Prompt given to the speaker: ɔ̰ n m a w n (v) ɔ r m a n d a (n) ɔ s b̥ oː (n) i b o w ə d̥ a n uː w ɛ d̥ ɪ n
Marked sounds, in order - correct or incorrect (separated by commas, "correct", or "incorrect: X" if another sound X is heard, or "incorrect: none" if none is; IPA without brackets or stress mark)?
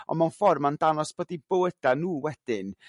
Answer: incorrect: f, correct, incorrect: d